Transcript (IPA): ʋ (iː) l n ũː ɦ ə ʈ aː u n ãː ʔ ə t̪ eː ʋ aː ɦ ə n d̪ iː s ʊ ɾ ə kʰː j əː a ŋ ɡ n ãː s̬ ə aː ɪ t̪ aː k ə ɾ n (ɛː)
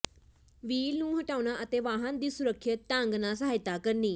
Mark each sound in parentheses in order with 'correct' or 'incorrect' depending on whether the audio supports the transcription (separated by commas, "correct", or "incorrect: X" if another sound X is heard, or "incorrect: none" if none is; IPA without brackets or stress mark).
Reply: correct, incorrect: iː